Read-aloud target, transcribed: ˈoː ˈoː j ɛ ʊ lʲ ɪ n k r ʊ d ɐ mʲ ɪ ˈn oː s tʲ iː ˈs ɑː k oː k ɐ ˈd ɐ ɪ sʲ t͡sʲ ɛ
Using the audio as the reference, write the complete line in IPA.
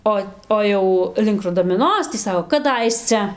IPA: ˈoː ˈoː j ɛ ʊ lʲ ɪ ŋ k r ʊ d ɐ mʲ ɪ ˈn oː s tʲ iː ˈs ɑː k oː k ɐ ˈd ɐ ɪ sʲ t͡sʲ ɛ